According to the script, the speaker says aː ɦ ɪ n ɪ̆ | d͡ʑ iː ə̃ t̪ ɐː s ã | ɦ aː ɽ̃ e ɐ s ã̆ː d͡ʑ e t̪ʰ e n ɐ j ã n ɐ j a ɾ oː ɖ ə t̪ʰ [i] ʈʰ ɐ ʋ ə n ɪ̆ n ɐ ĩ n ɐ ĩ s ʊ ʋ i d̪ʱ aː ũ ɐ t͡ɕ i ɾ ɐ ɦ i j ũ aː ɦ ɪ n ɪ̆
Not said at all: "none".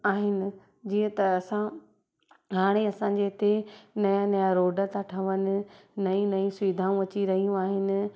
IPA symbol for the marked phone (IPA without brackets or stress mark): a